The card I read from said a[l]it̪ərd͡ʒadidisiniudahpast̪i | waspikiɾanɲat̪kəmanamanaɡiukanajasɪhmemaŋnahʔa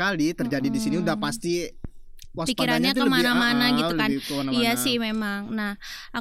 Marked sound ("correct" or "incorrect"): correct